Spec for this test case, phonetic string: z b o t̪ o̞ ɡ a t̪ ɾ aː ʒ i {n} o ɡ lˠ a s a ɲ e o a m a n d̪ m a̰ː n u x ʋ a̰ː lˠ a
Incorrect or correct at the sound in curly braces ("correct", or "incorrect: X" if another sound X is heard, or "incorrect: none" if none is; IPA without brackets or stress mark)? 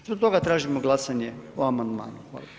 incorrect: m